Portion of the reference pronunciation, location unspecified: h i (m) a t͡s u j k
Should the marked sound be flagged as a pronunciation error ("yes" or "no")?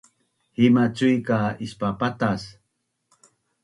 no